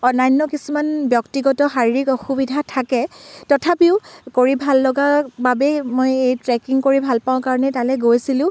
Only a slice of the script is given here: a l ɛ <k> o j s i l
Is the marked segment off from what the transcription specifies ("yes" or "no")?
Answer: yes